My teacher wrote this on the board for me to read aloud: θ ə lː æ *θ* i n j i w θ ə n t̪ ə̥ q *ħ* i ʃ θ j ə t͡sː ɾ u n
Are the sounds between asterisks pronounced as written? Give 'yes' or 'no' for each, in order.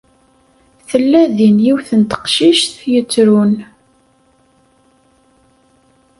no, no

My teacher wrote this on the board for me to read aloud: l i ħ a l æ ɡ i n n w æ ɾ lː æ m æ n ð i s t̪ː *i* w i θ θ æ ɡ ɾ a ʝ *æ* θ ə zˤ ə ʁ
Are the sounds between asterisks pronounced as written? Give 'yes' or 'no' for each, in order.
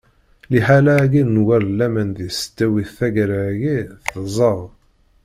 no, no

